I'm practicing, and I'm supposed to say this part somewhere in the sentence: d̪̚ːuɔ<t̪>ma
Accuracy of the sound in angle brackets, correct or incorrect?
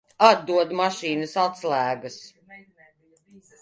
incorrect